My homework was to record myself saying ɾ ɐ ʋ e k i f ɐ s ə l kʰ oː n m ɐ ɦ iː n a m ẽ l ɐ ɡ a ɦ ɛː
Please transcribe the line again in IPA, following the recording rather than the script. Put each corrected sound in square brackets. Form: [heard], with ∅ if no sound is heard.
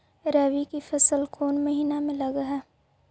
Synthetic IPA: ɾ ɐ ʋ [i] k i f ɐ s ə l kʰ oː n m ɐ ɦ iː n a m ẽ l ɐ ɡ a ɦ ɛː